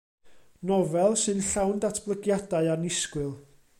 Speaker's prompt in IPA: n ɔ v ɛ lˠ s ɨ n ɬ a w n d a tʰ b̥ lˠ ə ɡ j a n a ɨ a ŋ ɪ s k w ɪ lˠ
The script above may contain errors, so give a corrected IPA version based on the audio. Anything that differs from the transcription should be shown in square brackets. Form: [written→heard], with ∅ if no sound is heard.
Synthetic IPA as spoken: n ɔ v ɛ lˠ s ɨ n ɬ a w n d a tʰ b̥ lˠ ə ɡ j a [n→d] a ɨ a [ŋ→n] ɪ s k w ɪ lˠ